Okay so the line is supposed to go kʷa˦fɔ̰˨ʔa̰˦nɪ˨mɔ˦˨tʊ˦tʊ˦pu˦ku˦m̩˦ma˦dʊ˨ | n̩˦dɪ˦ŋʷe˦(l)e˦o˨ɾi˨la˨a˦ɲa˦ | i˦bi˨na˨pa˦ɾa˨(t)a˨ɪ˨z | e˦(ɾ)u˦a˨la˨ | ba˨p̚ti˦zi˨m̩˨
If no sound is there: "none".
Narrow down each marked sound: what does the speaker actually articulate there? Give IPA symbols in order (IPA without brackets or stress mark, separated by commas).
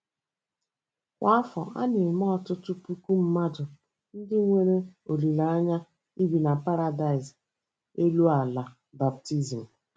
ɾ, d, l